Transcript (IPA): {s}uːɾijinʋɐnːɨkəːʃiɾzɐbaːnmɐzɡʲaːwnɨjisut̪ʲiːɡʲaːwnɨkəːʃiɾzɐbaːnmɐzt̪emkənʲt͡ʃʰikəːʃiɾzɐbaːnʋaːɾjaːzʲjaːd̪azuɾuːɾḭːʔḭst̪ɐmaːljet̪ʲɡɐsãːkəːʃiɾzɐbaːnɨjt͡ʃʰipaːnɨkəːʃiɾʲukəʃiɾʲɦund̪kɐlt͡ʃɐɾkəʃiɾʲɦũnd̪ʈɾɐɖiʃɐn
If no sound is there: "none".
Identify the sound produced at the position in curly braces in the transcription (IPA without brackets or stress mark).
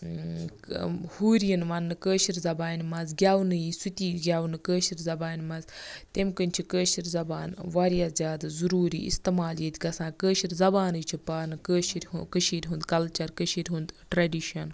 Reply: h